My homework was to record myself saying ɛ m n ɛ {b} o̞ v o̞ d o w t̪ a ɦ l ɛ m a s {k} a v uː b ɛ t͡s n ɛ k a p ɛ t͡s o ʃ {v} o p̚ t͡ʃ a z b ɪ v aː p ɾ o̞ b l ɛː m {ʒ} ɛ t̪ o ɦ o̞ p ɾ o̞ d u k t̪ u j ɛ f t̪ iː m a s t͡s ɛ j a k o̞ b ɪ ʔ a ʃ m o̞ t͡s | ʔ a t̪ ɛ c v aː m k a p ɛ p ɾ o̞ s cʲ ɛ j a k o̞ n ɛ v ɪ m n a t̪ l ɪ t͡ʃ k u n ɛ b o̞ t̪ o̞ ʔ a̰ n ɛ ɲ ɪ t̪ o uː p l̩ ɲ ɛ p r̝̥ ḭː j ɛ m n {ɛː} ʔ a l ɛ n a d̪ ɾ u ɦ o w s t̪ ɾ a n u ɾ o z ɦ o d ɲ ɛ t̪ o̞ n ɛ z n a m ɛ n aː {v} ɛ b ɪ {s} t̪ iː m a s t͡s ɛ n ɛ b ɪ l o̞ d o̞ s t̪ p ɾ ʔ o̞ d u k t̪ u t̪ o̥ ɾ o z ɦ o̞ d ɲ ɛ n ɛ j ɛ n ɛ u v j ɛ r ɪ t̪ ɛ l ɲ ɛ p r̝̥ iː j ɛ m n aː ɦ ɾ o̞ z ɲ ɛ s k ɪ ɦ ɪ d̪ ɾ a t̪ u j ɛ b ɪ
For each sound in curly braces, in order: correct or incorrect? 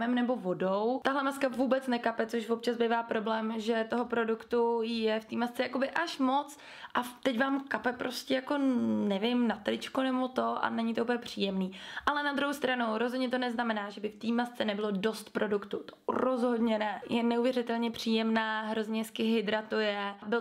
correct, correct, correct, correct, incorrect: iː, incorrect: ʒ, incorrect: f

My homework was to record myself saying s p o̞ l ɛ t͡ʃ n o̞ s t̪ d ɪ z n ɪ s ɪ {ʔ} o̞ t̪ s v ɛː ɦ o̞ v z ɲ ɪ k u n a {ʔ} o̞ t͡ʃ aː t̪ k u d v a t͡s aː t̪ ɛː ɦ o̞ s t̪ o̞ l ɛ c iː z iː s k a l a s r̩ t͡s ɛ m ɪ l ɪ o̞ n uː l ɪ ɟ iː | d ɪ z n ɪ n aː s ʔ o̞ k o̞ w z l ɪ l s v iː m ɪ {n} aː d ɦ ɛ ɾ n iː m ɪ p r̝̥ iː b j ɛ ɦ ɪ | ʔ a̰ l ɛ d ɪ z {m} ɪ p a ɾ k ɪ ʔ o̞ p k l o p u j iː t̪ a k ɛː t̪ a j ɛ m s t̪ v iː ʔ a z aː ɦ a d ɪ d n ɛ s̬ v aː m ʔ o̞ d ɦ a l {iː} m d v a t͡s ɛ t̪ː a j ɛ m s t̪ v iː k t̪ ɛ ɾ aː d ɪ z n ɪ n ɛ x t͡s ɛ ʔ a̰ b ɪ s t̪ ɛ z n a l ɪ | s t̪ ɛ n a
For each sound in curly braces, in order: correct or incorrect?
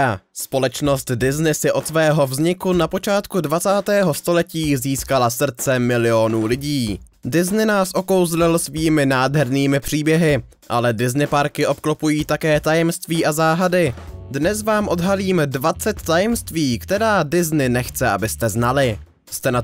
correct, incorrect: p, correct, incorrect: n, correct

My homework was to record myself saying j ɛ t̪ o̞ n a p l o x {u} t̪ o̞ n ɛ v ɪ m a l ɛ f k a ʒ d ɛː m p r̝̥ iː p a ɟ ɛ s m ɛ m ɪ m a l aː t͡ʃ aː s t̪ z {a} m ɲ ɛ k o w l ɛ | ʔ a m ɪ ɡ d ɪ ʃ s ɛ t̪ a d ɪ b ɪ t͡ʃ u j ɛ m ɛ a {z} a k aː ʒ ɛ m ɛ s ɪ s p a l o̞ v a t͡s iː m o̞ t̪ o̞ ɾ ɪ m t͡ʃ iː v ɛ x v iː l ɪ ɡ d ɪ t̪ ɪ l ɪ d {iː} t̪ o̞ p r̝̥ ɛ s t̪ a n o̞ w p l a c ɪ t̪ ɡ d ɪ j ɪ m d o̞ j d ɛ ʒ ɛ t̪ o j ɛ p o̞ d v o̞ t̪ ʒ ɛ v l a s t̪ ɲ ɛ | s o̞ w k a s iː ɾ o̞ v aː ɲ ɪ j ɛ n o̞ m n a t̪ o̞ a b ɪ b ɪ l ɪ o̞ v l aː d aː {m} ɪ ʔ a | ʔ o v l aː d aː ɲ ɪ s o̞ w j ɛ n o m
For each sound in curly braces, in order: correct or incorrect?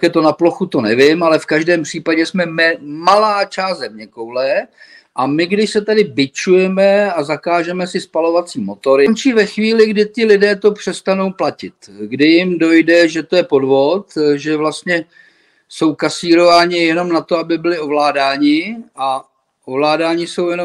correct, incorrect: ɛ, correct, incorrect: ɛː, incorrect: ɲ

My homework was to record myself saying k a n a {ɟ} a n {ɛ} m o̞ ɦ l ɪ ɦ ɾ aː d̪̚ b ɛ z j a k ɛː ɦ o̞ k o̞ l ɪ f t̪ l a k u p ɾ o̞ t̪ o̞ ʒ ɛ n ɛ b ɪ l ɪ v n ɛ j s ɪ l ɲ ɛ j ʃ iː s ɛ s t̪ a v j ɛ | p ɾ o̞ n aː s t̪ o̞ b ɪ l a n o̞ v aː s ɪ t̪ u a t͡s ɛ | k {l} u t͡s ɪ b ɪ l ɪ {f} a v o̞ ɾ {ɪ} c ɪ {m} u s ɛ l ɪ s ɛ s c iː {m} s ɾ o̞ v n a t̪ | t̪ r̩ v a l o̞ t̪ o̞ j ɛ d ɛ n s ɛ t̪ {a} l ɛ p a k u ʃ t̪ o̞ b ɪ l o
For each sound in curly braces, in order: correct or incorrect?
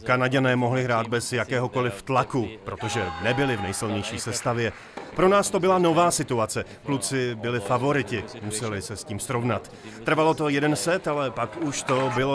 correct, incorrect: ɛː, correct, correct, correct, correct, correct, correct

